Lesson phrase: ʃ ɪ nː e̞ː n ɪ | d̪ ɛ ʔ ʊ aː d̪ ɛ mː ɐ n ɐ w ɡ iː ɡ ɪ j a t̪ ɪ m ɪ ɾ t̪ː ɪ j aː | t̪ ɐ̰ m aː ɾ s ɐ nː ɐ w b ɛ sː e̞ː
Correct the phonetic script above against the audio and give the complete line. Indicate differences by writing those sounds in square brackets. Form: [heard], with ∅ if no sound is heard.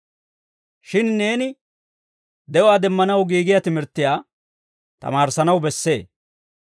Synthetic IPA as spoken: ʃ ɪ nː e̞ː n ɪ | d̪ ɛ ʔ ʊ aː d̪ ɛ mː ɐ n ɐ w ɡ iː ɡ ɪ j a t̪ ɪ m ɪ ɾ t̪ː ɪ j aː | t̪ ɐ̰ m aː ɾ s ɐ [n] ɐ w b ɛ sː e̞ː